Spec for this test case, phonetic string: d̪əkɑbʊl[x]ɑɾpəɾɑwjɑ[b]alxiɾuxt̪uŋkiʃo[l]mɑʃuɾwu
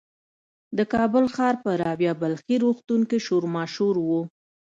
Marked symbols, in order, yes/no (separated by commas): yes, yes, no